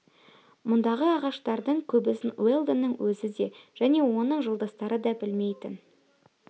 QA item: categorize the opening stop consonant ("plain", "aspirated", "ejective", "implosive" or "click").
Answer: plain